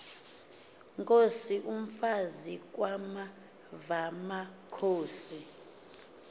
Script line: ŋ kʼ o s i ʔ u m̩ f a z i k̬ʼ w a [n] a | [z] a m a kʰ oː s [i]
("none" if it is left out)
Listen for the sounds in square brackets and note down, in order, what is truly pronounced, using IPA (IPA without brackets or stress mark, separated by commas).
m, v, i